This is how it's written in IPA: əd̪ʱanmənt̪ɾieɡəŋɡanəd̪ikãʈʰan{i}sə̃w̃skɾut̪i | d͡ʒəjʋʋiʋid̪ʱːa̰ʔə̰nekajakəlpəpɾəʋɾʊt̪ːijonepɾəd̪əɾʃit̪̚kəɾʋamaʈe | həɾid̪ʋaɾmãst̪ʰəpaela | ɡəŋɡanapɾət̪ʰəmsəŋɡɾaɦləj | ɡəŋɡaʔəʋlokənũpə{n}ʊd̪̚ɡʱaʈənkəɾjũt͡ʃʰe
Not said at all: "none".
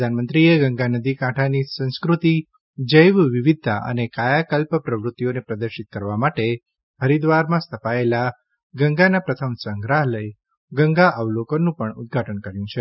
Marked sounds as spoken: i, ɳ

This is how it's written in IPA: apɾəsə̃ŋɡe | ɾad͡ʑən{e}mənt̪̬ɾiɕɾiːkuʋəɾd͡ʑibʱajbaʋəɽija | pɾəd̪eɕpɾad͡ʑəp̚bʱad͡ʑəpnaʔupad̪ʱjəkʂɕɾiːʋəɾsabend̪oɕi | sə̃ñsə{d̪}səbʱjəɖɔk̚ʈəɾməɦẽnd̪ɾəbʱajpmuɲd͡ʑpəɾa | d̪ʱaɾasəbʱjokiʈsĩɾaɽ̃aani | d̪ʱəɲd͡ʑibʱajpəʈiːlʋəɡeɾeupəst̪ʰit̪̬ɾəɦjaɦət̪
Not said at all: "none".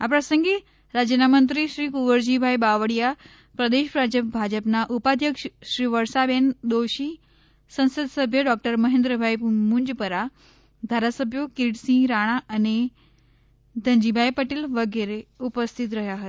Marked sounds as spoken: a, d̪

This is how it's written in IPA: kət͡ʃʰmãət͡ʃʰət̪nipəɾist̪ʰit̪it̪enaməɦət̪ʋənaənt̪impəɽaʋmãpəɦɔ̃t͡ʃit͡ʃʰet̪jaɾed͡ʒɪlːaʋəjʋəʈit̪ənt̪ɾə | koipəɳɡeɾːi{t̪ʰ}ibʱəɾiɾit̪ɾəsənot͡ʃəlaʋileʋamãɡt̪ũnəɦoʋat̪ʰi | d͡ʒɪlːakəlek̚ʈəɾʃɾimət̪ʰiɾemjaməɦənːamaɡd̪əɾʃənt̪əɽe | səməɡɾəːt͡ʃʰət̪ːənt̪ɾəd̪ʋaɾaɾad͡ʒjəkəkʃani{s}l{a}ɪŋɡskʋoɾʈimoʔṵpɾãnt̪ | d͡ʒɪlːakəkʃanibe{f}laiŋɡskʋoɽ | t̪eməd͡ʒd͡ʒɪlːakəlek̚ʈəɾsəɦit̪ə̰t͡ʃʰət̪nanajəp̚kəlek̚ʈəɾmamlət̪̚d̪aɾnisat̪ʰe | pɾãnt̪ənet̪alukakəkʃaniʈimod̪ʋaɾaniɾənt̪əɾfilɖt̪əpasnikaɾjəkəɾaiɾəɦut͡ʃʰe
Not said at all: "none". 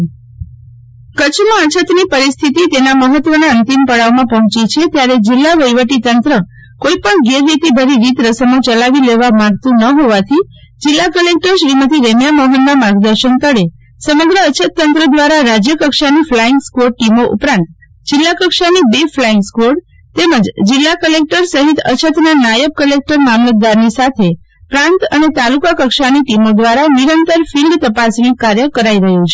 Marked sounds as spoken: t̪, f, a, f

